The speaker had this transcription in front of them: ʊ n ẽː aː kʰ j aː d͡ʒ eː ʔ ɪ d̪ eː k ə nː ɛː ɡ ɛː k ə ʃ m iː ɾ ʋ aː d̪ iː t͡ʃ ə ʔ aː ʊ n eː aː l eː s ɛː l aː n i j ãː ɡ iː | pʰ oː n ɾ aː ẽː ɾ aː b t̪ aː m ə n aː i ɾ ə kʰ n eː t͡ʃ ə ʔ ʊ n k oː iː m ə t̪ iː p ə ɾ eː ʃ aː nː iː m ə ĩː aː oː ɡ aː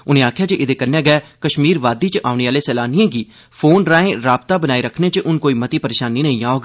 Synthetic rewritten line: ʊ n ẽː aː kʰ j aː d͡ʒ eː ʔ ɪ d̪ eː k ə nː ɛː ɡ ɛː k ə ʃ m iː ɾ ʋ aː d̪ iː t͡ʃ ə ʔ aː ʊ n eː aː l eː s ɛː l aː n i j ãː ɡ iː | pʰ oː n ɾ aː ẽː ɾ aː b t̪ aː b ə n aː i ɾ ə kʰ n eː t͡ʃ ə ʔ ʊ n k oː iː m ə t̪ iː p ə ɾ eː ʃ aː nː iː n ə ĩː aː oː ɡ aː

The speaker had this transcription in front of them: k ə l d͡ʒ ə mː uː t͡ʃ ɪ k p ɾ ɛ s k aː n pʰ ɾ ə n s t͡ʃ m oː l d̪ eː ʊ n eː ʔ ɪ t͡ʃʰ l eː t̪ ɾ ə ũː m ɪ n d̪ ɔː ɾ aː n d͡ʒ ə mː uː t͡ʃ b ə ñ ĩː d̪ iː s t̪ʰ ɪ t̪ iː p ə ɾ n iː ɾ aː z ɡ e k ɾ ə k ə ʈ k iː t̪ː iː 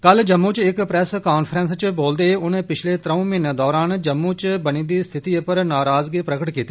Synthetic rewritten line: k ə l d͡ʒ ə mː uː t͡ʃ ɪ k p ɾ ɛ s k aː n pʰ ɾ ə n s t͡ʃ b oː l d̪ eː ʊ n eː p ɪ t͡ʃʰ l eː t̪ ɾ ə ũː m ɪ n d̪ ɔː ɾ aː n d͡ʒ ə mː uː t͡ʃ b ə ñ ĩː d̪ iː s t̪ʰ ɪ t̪ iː p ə ɾ n aː ɾ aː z ɡ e p ɾ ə k ə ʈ k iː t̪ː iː

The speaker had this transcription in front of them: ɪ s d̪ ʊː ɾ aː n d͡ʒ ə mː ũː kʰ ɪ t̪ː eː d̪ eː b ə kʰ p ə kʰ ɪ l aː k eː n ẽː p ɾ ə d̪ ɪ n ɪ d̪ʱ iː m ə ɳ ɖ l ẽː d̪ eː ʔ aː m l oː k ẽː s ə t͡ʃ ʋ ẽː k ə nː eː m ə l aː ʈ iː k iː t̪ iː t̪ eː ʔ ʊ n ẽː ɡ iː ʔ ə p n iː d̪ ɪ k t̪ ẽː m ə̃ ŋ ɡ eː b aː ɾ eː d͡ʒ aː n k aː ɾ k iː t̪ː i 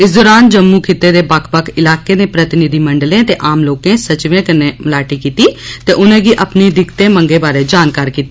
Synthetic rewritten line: ɪ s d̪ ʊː ɾ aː n d͡ʒ ə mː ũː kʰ ɪ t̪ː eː d̪ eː b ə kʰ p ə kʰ ɪ l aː k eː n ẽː p ɾ ə t̪ ɪ n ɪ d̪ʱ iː m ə ɳ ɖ l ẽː t̪ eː ʔ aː m l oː k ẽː s ə t͡ʃ ʋ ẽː k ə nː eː m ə l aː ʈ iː k iː t̪ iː t̪ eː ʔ ʊ n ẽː ɡ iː ʔ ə p n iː d̪ ɪ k t̪ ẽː m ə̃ ŋ ɡ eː b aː ɾ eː d͡ʒ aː n k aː ɾ k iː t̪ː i

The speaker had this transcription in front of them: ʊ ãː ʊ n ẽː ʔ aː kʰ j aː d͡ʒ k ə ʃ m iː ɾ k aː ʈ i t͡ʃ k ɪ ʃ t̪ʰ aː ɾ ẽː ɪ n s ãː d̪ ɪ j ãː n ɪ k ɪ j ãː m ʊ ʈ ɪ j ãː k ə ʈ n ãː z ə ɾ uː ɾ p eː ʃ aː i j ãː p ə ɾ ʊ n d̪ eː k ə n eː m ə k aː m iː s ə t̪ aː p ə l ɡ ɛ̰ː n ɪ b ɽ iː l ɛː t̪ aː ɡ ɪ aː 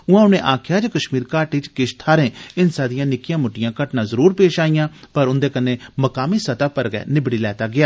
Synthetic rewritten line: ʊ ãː ʊ n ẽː ʔ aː kʰ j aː d͡ʒ k ə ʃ m iː ɾ k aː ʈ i t͡ʃ k ɪ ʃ t̪ʰ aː ɾ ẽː ɪ n s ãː d̪ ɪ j ãː n ɪ k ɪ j ãː m ʊ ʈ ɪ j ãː k ə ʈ n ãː z ə ɾ uː ɾ p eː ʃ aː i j ãː p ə ɾ ʊ n d̪ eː k ə n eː m ə k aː m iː s ə t̪ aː p ə ɾ ɡ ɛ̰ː n ɪ b ɽ iː l ɛː t̪ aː ɡ ɪ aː

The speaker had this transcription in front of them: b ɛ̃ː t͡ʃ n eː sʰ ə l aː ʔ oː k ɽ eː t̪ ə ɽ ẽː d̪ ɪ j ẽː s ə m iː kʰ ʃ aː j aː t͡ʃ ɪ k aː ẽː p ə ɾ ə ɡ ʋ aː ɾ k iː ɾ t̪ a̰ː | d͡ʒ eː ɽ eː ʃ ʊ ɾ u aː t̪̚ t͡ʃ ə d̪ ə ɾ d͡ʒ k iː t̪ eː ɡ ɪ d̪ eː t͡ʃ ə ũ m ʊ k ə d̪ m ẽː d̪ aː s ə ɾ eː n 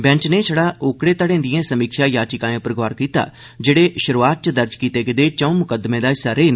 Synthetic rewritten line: b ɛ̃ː t͡ʃ n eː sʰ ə ɽ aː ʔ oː k ɽ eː t̪ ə ɽ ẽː d̪ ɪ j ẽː s ə m iː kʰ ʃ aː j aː t͡ʃ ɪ k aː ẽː p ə ɾ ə ɡ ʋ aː ɾ k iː t̪ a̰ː | d͡ʒ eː ɽ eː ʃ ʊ ɾ u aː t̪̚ t͡ʃ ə d̪ ə ɾ d͡ʒ k iː t̪ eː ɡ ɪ d̪ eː t͡ʃ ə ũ m ʊ k ə d̪ m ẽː d̪ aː s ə ɾ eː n

